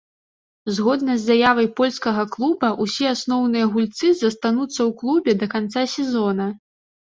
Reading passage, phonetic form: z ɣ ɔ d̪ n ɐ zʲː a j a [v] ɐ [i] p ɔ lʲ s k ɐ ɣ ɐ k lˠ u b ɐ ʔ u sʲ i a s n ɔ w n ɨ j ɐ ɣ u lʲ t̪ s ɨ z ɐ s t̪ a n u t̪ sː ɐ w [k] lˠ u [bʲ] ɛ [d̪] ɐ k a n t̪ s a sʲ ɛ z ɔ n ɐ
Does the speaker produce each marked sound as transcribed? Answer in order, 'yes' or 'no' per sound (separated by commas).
yes, no, yes, yes, yes